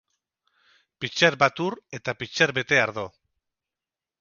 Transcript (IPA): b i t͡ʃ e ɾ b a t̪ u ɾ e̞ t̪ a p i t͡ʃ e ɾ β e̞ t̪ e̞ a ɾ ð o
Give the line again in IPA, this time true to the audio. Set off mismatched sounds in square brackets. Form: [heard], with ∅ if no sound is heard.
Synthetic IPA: [p] i t͡ʃ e ɾ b a t̪ u ɾ e̞ t̪ a p i t͡ʃ e ɾ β e̞ t̪ e̞ a ɾ ð o